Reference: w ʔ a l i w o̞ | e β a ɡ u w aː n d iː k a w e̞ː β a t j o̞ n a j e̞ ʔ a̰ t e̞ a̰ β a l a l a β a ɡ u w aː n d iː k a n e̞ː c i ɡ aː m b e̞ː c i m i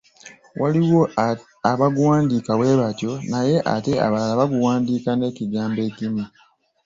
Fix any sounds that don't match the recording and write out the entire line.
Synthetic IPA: w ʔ a l i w o̞ | a β a ɡ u w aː n d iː k a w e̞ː β a t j o̞ n a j e̞ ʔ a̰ t e̞ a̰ β a l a l a β a ɡ u w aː n d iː k a n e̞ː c i ɡ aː m b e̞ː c i m i